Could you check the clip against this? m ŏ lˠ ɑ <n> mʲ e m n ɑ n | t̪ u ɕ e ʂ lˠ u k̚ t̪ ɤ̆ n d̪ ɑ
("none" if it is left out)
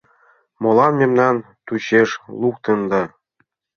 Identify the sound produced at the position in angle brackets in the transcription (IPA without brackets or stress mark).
n